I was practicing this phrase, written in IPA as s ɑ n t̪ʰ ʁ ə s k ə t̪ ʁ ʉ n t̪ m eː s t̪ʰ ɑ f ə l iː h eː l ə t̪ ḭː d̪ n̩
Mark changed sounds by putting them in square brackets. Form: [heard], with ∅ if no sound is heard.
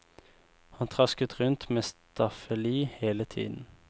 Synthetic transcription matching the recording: [h] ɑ n t̪ʰ ʁ [ɑ] s k ə t̪ ʁ ʉ n t̪ m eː s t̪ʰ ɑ f ə l iː h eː l ə [t̪ʰ] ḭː d̪ n̩